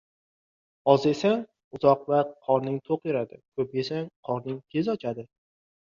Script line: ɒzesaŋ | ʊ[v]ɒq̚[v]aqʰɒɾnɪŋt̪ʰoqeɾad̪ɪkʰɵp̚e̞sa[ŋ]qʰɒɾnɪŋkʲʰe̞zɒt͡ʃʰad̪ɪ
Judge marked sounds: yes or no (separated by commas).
no, yes, yes